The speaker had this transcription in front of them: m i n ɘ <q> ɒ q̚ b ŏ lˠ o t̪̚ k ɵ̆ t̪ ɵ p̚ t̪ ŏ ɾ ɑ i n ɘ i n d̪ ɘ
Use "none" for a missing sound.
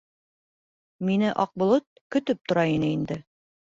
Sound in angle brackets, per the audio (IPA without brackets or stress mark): ʔ